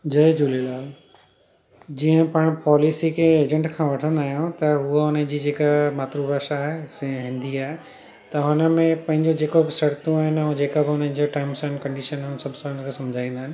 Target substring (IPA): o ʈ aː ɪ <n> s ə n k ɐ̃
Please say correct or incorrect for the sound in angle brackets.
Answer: incorrect